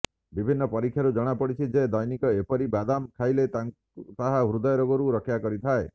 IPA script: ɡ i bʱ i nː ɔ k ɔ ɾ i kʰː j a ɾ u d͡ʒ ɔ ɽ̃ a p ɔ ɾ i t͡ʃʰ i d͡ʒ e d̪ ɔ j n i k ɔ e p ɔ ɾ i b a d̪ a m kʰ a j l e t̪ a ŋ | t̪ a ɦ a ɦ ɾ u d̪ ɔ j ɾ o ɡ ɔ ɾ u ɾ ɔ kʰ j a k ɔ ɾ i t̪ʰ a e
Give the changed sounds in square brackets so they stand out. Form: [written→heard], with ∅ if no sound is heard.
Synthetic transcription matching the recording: [ɡ→b] i bʱ i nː ɔ [k→p] ɔ ɾ i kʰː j a ɾ u d͡ʒ ɔ ɽ̃ a p ɔ [ɾ→ɽ] i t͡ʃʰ i d͡ʒ e d̪ ɔ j n i k ɔ e p ɔ ɾ i b a d̪ a m kʰ a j l e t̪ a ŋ | t̪ a ɦ a ɦ ɾ u d̪ ɔ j ɾ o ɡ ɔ ɾ u ɾ ɔ kʰ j a k ɔ ɾ i t̪ʰ a e